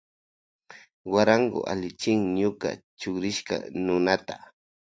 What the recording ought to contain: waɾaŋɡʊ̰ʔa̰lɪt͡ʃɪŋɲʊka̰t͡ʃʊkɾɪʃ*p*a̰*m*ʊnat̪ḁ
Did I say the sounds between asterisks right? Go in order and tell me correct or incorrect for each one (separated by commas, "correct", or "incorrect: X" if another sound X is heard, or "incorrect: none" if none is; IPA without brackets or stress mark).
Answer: incorrect: k, incorrect: n